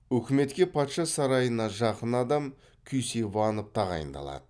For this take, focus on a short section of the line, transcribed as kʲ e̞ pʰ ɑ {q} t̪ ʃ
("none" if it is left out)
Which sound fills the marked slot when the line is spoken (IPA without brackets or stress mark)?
none